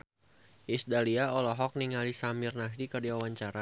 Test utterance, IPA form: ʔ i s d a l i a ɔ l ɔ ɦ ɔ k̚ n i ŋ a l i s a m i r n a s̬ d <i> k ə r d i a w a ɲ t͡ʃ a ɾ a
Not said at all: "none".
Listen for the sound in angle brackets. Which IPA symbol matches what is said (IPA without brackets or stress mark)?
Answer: i